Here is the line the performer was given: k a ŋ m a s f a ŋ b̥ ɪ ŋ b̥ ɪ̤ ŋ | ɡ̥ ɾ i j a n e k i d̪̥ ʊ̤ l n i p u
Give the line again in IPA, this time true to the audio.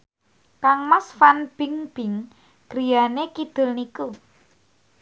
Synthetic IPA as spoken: k a ŋ m a s f a n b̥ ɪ ŋ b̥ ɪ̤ ŋ | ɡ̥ ɾ i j a n e k i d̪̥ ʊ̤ l n i k u